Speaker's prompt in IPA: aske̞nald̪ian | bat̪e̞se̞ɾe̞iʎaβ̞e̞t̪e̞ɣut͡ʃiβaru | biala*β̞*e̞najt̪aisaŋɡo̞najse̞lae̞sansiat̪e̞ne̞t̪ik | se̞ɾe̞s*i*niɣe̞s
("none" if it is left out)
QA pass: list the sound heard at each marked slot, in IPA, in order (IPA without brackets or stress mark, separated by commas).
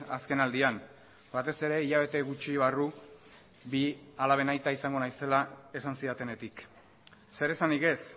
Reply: β̞, a